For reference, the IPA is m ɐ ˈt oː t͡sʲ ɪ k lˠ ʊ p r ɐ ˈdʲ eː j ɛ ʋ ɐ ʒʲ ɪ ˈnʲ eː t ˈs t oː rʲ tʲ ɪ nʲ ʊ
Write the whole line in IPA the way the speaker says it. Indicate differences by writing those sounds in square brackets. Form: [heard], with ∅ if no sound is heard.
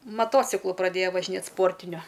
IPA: m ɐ ˈt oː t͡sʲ ɪ k lˠ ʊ p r ɐ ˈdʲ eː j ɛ ʋ ɐ ʒʲ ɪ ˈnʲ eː t ˈs [p] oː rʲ tʲ ɪ nʲ ʊ